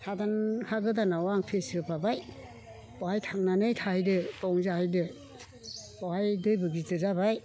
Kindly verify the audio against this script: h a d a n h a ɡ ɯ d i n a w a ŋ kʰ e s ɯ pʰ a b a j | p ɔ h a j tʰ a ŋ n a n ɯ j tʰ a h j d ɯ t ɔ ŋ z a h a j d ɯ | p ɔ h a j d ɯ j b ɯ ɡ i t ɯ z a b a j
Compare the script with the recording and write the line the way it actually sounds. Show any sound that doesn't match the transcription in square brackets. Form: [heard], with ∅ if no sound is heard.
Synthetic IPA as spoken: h a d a n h a ɡ ɯ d [a] n a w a ŋ [pʰ] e s ɯ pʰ a b a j | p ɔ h a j tʰ a ŋ n a n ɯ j tʰ a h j d ɯ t ɔ ŋ z a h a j d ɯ | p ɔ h a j d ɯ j b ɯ ɡ i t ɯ z a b a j